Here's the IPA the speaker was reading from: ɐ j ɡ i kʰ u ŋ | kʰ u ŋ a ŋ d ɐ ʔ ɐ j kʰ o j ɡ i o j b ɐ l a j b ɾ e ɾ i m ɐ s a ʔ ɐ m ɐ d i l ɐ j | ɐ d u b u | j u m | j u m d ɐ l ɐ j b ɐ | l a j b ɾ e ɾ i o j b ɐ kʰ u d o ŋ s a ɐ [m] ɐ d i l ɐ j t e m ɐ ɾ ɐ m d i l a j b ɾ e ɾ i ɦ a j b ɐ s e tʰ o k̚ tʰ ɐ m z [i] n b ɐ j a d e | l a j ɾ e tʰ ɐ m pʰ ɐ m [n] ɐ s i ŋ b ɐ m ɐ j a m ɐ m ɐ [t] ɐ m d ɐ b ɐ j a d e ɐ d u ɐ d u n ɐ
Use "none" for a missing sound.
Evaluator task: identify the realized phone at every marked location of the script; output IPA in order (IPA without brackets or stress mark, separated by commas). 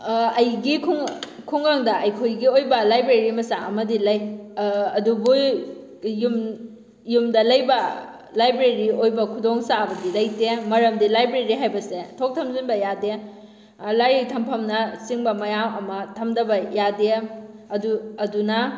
b, i, n, tʰ